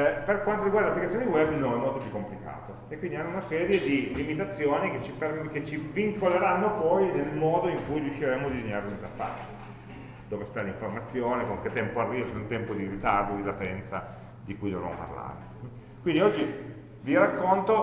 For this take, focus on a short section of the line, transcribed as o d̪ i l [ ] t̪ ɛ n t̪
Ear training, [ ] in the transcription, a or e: a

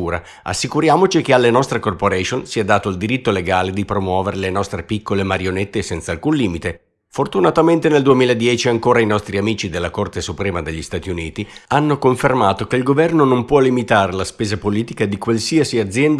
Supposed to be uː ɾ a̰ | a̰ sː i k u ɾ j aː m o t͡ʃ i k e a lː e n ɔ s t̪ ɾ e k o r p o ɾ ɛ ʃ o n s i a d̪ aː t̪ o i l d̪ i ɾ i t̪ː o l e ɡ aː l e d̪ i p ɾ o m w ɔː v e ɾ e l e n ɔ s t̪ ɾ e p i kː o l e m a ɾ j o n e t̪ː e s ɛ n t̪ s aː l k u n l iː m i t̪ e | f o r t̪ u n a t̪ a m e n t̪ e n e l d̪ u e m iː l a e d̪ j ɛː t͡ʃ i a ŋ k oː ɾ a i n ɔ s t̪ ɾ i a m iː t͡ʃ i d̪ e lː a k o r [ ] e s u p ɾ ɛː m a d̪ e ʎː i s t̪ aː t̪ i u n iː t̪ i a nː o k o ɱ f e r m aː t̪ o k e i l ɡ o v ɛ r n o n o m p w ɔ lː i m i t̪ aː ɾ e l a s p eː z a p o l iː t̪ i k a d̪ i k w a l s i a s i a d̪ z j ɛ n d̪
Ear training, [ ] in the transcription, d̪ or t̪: t̪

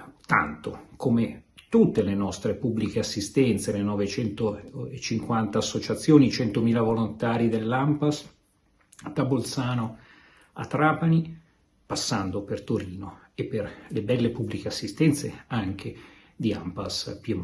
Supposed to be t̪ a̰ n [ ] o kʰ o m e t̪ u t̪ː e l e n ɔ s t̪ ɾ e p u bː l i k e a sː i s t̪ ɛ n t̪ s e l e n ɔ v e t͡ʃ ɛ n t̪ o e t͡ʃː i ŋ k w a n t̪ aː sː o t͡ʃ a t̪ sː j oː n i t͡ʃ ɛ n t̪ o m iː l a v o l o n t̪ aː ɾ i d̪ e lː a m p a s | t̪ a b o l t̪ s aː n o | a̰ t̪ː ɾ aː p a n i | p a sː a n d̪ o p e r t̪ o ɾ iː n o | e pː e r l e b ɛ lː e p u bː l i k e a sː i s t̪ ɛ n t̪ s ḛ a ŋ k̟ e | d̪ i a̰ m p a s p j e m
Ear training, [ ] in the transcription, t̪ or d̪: t̪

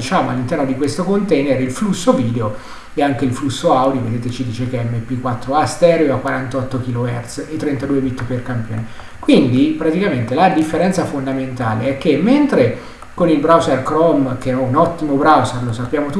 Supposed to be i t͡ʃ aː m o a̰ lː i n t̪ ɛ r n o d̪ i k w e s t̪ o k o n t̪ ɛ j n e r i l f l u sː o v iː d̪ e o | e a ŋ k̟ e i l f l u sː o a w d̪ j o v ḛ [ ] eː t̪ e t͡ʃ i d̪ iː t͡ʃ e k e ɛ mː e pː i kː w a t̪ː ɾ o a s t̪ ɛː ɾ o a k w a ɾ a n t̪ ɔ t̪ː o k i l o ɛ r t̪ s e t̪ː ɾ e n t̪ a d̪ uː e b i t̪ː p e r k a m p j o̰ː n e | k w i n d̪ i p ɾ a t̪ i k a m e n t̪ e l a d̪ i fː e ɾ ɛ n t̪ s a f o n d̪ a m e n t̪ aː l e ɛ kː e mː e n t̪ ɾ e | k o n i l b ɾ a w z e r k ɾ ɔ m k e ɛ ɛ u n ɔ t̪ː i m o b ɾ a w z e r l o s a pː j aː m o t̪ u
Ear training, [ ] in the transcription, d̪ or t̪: d̪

